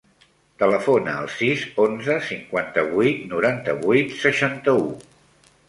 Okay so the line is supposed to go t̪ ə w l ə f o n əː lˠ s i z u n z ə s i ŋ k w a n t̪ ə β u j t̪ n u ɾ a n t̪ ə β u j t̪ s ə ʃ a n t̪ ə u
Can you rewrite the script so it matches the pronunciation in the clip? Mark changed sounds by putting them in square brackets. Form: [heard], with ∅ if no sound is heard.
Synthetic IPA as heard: t̪ ə [∅] l ə f o n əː lˠ s i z [o] n z ə s i ŋ k w a n t̪ ə β u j t̪ n u ɾ a n t̪ ə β u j t̪ s ə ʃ a n t̪ ə u